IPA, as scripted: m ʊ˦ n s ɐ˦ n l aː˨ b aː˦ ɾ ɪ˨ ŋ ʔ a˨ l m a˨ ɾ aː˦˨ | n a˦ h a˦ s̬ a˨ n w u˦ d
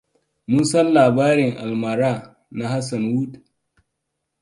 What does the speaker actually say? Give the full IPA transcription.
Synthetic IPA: m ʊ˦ n s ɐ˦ n l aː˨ b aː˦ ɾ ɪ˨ ŋ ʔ a˨ l m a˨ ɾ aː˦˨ | n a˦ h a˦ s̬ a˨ n w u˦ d